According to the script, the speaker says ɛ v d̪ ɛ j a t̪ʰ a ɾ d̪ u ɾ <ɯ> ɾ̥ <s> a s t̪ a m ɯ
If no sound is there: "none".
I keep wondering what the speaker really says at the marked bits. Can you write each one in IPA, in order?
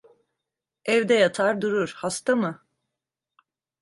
u, h

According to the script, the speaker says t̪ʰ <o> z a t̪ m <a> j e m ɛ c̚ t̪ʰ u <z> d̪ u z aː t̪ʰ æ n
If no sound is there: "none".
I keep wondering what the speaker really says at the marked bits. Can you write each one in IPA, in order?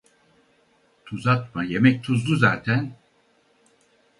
u, a, z

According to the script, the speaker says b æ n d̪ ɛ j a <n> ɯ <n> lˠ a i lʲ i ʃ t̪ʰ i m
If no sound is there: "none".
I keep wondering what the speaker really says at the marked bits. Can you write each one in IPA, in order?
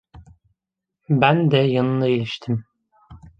n, n

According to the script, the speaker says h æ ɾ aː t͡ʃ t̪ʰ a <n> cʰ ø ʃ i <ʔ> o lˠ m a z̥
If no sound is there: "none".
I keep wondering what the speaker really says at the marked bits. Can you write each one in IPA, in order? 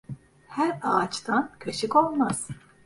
n, k

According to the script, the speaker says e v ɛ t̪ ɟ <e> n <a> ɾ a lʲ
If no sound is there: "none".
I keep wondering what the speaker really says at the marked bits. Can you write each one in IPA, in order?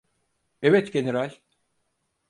e, e

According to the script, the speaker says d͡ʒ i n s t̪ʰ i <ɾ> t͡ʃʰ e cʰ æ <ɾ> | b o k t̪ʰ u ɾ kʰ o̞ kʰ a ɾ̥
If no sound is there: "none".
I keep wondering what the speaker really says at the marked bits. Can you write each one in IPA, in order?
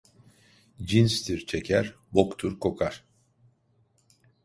ɾ, ɾ

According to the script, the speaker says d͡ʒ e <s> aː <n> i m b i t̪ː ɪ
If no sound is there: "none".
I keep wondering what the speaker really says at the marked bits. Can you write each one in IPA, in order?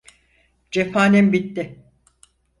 f, n

